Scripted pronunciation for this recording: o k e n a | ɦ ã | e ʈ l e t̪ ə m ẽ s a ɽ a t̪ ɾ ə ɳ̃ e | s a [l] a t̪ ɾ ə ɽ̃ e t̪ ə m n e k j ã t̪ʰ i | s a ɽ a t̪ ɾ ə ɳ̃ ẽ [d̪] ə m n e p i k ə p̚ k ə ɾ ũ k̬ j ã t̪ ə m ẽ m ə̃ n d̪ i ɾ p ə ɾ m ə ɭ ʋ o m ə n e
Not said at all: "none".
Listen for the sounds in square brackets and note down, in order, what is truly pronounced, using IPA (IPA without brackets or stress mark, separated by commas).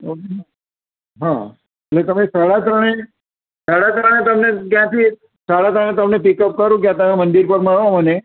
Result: ɽ, t̪